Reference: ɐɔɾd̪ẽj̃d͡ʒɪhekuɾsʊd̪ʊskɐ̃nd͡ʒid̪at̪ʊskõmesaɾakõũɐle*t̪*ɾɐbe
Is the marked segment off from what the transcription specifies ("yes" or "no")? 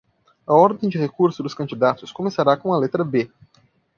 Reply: no